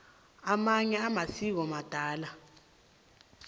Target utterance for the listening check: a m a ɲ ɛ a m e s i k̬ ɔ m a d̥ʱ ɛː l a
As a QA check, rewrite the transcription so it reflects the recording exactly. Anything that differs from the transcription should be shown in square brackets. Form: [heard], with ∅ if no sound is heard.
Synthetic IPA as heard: a m a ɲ ɛ a m [a] s i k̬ ɔ m a d̥ʱ [aː] l a